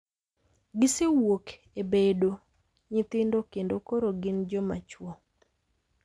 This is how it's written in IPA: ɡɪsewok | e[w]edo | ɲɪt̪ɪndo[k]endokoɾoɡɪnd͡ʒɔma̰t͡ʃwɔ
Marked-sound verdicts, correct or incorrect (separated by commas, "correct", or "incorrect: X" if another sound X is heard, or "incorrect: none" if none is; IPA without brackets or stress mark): incorrect: b, correct